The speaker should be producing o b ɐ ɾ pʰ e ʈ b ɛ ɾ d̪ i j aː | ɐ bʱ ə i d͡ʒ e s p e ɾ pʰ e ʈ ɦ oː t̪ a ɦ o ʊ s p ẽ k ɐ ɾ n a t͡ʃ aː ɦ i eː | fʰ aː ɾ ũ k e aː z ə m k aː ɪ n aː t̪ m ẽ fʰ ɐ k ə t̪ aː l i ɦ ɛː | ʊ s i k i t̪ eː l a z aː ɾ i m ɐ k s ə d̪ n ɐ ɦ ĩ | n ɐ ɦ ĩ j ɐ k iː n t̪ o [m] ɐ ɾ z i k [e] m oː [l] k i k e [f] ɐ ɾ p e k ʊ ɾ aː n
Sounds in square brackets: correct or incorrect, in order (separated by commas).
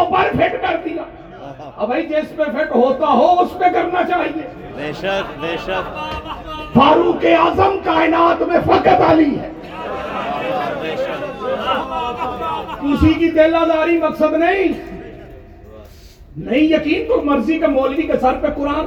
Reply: correct, correct, correct, incorrect